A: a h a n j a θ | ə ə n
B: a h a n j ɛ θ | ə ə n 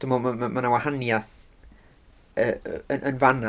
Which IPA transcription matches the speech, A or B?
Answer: A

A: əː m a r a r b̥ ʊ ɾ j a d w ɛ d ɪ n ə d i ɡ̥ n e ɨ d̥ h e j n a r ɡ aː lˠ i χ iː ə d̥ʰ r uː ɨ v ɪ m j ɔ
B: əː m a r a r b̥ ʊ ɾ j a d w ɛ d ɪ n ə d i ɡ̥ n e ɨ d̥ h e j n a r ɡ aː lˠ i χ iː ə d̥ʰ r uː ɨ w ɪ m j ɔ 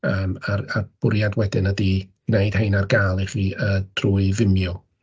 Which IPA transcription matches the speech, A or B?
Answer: A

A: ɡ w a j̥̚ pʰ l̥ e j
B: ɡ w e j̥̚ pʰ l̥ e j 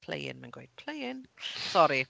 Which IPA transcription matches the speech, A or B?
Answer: B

